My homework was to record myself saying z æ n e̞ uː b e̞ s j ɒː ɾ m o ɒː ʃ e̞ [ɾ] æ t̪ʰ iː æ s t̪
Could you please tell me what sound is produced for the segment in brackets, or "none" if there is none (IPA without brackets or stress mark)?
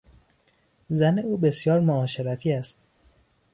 ɾ